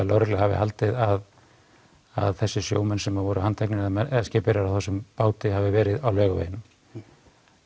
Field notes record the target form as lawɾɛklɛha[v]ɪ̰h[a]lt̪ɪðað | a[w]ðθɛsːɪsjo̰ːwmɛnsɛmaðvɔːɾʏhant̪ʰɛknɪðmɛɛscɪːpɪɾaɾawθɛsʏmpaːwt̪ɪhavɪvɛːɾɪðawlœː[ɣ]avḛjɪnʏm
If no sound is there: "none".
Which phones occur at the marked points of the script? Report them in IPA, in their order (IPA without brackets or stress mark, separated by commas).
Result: v, a, none, ɣ